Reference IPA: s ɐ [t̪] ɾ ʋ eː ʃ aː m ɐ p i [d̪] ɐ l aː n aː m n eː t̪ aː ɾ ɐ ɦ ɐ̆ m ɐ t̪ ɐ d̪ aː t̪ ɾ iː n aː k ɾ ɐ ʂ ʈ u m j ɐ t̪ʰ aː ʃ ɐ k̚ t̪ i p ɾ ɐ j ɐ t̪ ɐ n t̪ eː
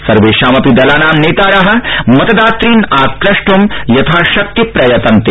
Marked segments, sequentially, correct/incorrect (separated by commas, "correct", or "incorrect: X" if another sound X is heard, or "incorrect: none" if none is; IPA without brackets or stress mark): incorrect: none, correct